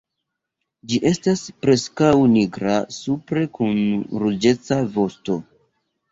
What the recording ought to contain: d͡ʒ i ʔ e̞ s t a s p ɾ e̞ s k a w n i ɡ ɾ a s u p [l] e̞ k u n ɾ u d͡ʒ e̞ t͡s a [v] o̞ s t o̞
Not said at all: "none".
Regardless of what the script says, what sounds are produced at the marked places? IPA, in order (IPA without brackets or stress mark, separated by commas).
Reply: ɾ, v